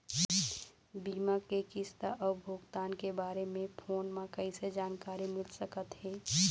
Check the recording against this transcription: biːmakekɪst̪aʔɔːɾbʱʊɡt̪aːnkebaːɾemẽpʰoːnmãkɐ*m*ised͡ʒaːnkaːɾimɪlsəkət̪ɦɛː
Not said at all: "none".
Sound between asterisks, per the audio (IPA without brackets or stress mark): none